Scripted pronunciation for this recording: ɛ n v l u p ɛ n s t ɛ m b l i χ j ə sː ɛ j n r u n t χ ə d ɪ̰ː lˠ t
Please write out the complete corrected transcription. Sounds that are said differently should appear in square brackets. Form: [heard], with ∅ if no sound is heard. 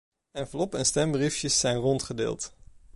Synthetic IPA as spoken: ɛ n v l [ɔ] p ɛ n s t ɛ m b [r] i [f] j ə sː ɛ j n r [ɔ] n t χ ə d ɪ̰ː lˠ t